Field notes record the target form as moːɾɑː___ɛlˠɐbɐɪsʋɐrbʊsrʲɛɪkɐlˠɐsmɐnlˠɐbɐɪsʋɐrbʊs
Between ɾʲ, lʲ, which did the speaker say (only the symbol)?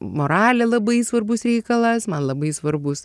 lʲ